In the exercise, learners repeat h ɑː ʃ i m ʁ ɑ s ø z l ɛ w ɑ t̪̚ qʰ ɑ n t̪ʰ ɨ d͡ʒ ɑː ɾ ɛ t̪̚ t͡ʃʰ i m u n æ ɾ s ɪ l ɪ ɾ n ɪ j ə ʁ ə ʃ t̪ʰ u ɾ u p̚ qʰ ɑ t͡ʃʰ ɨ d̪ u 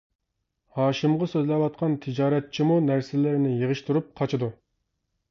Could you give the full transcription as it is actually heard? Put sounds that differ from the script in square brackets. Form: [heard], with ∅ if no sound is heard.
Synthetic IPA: h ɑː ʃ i m ʁ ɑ s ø z l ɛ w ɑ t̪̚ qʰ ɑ n t̪ʰ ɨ d͡ʒ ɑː ɾ ɛ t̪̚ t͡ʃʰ i m u n æ ɾ s ɪ l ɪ ɾ n ɪ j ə ʁ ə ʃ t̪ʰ u ɾ u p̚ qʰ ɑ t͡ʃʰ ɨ d̪ u